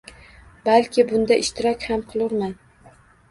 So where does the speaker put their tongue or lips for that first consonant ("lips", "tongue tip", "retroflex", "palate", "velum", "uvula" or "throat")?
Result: lips